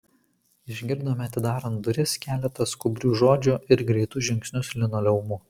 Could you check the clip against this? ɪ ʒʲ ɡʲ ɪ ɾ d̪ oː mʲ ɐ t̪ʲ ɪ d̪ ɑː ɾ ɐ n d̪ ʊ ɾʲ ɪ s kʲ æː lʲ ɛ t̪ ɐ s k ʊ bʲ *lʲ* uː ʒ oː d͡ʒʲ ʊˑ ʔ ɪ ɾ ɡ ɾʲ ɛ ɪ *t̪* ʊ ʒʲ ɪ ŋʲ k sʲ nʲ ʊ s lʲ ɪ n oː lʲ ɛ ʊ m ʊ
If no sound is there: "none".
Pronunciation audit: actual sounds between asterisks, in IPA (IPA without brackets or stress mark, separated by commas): ɾʲ, t̪